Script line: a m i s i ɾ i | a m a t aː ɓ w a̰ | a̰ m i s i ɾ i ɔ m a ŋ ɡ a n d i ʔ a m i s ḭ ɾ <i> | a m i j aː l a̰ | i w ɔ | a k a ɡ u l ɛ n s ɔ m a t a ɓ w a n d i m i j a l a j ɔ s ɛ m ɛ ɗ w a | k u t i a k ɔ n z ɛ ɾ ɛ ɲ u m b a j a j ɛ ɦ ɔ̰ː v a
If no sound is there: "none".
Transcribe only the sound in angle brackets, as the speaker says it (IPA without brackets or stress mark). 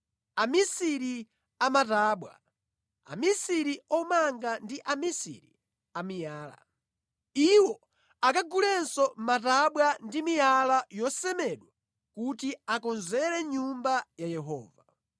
i